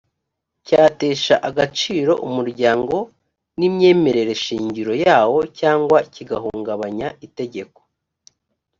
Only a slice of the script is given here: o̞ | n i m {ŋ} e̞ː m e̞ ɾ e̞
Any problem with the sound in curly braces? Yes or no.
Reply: yes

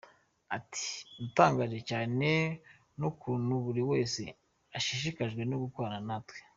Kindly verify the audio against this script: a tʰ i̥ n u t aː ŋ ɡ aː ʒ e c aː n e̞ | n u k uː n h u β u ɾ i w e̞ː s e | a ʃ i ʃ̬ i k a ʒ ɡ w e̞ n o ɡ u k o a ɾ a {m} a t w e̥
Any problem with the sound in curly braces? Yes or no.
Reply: yes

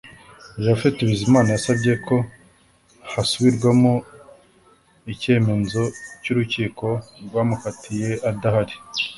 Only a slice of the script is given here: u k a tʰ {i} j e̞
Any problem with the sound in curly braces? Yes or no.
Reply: no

